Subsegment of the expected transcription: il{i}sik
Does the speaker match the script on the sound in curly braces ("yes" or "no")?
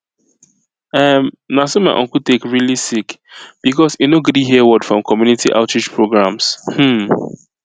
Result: yes